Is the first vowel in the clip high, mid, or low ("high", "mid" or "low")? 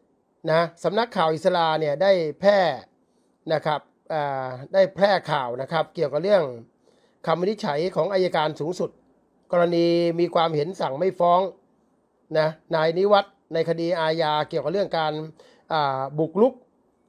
low